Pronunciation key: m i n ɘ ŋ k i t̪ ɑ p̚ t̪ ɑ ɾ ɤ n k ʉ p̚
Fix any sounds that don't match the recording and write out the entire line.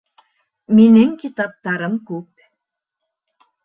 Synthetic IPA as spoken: m i n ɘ ŋ k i t̪ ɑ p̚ t̪ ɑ ɾ ɤ m k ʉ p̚